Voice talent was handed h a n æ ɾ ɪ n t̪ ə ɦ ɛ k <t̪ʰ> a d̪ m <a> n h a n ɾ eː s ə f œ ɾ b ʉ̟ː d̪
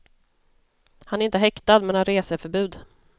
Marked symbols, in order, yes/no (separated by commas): no, no